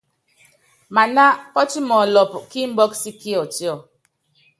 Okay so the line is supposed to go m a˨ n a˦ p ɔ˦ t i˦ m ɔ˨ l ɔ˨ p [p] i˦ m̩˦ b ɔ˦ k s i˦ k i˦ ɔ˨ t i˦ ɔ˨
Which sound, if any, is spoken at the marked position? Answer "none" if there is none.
k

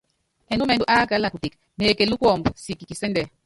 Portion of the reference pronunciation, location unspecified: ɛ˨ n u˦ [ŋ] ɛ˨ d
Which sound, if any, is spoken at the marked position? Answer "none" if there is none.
m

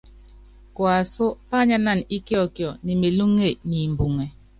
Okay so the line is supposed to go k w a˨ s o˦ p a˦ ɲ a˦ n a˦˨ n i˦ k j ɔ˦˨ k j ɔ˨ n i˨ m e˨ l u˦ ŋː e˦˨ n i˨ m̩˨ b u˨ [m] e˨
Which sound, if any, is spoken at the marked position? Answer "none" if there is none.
ŋ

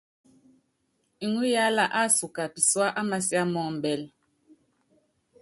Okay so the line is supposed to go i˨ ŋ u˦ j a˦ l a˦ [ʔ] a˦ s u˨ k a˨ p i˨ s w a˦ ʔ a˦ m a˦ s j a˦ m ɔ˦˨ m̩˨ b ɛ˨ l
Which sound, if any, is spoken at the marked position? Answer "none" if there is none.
ʔ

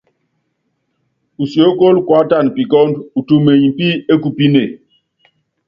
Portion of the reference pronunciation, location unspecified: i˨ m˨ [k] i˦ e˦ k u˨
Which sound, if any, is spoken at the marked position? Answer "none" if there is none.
p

